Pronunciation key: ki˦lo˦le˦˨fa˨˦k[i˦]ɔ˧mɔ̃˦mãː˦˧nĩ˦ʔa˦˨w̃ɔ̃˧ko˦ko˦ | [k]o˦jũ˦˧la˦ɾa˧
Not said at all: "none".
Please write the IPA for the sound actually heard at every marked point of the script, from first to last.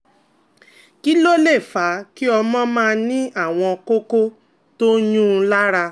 i˦, t

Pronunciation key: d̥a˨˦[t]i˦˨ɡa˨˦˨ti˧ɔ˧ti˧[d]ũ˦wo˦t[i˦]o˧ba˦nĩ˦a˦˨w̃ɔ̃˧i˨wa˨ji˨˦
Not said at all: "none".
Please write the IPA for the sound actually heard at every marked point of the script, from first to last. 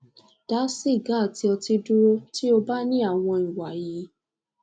s, d, i˦

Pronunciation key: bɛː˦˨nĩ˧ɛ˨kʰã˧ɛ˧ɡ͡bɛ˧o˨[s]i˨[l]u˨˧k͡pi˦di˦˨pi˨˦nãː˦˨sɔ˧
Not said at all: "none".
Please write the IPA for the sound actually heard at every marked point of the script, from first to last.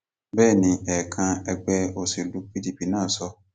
s, l

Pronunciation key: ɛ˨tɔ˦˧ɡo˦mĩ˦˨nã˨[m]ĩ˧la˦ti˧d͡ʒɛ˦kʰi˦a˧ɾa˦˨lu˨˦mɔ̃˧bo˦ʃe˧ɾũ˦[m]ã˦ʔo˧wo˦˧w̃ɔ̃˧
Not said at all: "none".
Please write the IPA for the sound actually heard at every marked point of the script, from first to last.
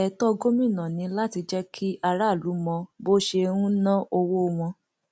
n, n

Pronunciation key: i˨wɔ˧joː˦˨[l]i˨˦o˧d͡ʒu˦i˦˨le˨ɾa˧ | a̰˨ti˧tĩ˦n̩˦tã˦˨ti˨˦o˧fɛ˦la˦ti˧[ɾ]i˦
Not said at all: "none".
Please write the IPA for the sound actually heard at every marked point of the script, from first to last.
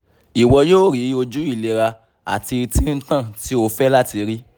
ɾ, ɾ

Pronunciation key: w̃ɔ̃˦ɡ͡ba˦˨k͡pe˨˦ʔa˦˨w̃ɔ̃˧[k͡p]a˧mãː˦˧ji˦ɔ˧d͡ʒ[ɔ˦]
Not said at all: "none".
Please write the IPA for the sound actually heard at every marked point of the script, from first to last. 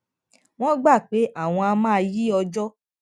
none, ɔ˦

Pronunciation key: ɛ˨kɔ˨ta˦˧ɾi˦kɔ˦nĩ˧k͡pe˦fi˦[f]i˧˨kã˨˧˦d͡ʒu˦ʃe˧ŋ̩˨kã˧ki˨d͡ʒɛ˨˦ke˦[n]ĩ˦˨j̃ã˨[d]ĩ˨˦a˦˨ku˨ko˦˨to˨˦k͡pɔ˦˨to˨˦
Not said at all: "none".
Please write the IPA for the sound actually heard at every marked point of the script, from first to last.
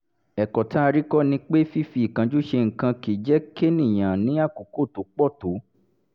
f, n, n

